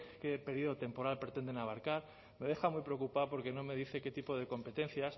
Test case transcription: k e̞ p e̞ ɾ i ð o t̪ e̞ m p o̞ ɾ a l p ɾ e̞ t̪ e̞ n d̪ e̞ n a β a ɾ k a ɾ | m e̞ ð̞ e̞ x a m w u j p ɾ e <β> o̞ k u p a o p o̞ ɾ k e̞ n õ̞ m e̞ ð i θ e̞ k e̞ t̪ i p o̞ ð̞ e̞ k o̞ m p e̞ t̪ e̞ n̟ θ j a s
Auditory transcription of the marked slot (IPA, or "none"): none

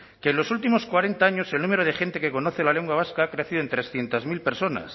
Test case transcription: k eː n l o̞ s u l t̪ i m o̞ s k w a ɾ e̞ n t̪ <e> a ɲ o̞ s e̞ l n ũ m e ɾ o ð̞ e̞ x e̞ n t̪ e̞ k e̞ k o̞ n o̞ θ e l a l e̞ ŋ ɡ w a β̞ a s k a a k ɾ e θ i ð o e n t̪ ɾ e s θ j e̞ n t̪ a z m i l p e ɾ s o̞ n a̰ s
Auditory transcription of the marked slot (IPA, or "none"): a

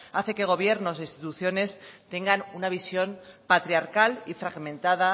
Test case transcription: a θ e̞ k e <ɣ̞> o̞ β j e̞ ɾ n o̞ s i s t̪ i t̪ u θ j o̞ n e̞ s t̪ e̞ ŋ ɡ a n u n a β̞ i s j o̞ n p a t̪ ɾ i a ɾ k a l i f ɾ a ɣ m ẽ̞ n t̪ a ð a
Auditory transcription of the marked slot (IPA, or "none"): ɣ̞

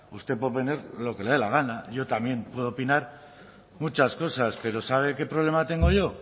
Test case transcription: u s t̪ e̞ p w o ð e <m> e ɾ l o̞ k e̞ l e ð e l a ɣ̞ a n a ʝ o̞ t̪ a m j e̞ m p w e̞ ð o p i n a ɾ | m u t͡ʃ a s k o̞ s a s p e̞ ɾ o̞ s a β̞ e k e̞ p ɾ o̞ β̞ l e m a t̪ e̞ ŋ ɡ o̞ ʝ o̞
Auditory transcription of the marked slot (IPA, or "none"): n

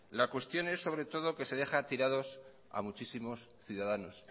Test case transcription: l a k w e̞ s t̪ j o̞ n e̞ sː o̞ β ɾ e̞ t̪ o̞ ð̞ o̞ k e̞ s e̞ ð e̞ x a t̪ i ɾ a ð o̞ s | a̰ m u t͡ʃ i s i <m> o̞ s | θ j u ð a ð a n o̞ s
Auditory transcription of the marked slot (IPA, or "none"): m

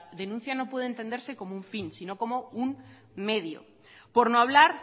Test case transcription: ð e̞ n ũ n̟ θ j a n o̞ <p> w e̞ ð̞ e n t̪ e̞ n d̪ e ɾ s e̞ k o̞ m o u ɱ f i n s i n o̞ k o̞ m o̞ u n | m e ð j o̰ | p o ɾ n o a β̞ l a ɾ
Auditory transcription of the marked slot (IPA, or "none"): p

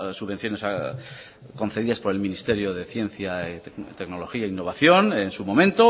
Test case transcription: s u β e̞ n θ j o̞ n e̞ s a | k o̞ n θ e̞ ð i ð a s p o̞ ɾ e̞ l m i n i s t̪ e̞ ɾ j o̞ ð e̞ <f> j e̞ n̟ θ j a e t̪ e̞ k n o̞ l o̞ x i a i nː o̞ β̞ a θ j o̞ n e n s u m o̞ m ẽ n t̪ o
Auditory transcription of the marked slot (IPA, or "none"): θ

